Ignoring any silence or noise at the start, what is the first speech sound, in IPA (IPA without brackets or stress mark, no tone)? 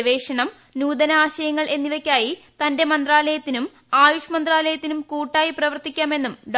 ʋ